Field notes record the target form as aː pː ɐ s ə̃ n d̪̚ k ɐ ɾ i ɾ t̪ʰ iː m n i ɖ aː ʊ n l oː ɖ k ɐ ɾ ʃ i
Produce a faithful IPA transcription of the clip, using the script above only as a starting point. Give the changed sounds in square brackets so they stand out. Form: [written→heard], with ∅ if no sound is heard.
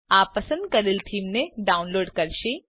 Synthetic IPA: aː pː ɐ s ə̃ n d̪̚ k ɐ ɾ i [ɾ→l] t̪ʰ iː m n [i→e] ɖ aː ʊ n l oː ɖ k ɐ ɾ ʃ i